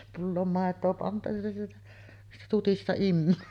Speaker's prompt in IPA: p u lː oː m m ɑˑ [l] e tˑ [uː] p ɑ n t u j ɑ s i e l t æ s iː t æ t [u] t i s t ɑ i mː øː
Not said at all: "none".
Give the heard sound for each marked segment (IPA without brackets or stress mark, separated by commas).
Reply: none, oː, u